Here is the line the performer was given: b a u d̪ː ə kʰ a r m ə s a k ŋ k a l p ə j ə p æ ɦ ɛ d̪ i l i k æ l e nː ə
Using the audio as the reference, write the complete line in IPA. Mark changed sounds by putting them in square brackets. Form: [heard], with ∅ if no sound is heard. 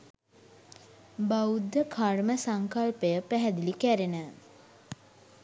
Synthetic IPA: b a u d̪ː ə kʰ a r m ə s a [∅] ŋ k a l p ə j ə p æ ɦ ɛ d̪ i l i k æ [ɾ] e [n] ə

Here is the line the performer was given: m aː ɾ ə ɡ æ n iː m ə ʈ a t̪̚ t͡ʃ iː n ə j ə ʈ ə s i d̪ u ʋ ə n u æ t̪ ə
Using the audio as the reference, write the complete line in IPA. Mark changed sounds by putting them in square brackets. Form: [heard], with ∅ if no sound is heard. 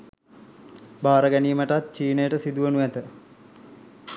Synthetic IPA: [b] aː ɾ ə ɡ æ n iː m ə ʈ a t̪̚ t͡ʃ iː n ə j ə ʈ ə s i d̪ u ʋ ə n u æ t̪ ə

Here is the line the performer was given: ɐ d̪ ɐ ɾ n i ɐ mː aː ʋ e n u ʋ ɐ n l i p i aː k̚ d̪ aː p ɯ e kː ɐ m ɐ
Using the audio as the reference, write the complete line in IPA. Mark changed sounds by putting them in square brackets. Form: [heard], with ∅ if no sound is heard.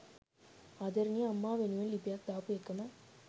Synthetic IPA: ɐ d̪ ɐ ɾ n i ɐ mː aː ʋ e n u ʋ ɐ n l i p [j] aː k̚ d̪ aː p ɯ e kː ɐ m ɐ

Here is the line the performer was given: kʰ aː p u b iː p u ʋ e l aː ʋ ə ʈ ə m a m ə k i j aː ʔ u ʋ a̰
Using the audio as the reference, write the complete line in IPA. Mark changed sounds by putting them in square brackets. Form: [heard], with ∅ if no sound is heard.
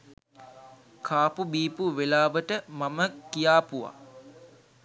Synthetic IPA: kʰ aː p u b iː p u ʋ e l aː ʋ ə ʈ ə m a m ə k i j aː [p] u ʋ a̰

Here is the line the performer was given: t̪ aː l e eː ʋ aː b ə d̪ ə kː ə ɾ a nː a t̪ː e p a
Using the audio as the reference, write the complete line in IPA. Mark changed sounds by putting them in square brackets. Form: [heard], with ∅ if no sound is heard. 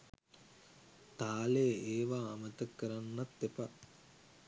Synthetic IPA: t̪ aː l e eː ʋ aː [m] ə [t̪] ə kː ə ɾ a nː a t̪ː e p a

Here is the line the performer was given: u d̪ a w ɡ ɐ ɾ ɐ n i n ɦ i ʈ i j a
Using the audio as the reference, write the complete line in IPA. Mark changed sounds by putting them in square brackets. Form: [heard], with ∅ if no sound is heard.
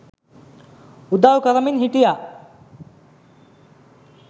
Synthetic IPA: u d̪ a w [k] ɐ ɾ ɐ [m] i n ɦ i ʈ i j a

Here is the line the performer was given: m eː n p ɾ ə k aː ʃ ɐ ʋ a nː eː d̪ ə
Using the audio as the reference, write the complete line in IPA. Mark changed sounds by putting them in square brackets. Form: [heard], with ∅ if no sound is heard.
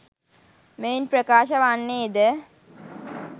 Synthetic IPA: m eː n p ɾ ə k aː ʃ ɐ ʋ a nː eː d̪ ə

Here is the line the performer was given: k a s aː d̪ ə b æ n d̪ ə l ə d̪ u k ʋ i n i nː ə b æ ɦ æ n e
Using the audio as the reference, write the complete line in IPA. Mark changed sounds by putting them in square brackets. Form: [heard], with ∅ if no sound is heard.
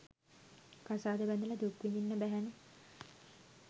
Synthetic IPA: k a s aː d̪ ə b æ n d̪ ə l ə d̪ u k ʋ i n i nː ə b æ ɦ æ n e

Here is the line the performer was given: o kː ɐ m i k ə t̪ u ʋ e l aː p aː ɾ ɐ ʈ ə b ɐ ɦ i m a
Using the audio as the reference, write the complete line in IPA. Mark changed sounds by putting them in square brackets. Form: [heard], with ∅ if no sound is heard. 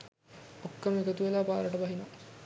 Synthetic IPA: o kː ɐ m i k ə t̪ u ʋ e l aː p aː ɾ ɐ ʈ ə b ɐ ɦ i [n] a

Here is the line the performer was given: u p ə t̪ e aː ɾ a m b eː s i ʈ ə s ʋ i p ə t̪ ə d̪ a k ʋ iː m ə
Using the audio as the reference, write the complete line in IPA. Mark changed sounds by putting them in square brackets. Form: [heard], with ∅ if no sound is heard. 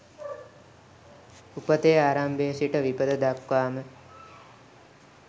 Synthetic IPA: u p ə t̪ e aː ɾ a m b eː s i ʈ ə [∅] ʋ i p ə [d̪] ə d̪ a k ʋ [aː] m ə

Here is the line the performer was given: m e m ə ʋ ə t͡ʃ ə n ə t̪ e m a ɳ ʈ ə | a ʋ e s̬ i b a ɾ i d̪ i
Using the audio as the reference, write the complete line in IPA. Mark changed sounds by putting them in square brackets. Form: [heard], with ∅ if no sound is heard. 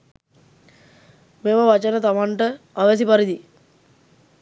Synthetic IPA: m e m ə ʋ [a] t͡ʃ ə n ə t̪ [a] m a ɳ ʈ ə | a ʋ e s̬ i [p] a ɾ i d̪ i

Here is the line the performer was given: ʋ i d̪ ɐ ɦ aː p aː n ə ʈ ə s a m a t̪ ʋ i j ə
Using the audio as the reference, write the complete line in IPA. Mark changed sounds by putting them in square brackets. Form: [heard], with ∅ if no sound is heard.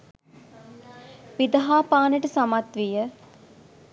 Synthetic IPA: ʋ i d̪ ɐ ɦ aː p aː n ə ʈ ə s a m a t̪ ʋ i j ə

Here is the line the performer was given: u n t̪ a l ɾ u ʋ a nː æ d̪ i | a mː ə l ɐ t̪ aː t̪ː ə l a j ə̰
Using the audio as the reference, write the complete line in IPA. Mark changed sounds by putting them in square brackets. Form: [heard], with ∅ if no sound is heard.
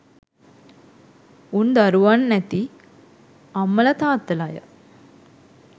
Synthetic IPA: u n [d̪] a [∅] ɾ u ʋ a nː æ [t̪] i | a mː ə l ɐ t̪ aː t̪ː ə l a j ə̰

